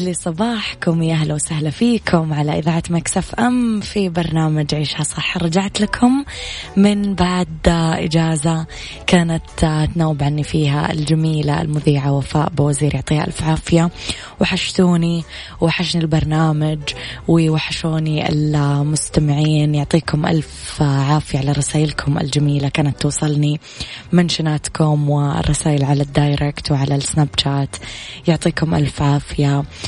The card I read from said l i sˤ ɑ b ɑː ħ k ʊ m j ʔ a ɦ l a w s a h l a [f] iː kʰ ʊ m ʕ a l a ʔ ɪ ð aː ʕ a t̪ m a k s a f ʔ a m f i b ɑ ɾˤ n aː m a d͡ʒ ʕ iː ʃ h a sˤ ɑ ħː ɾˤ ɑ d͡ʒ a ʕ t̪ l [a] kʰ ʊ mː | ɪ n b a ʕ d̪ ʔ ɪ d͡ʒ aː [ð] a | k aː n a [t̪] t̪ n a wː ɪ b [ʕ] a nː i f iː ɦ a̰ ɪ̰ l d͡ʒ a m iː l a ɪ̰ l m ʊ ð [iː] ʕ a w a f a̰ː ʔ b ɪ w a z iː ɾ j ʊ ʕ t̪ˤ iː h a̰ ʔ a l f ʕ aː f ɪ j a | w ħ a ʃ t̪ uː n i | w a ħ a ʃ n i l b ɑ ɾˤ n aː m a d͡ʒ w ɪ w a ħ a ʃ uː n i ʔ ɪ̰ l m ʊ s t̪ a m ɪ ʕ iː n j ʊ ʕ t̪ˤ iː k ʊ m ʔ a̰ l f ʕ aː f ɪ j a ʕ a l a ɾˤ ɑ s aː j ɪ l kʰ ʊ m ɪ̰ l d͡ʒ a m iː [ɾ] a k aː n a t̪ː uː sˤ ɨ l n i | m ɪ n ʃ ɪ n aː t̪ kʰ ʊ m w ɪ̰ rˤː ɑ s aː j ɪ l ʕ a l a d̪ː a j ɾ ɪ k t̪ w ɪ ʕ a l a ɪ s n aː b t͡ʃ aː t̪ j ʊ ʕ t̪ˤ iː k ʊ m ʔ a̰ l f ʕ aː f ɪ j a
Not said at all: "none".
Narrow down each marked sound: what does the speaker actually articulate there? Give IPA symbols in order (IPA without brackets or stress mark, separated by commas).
f, a, z, t̪, ʕ, iː, l